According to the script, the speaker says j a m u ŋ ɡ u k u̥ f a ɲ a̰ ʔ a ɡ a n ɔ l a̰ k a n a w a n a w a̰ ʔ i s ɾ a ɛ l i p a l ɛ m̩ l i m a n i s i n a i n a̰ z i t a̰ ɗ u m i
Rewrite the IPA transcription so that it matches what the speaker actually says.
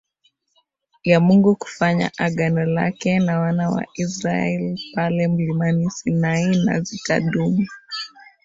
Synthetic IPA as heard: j a m u ŋ ɡ u k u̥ f a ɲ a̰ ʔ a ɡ a n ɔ l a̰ k ɛ n a w a n a w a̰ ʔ i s ɾ a ɛ l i p a l ɛ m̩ l i m a n i s i n a i n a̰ z i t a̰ ɗ u m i